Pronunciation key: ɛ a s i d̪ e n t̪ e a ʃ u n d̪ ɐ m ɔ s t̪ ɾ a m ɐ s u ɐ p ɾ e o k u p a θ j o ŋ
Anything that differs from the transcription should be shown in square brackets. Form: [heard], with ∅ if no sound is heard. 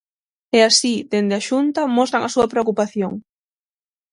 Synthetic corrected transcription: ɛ a s i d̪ e n [d̪] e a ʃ u n [t̪] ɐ m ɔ s t̪ ɾ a [ŋ] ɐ s u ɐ p ɾ e o k u p a θ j o ŋ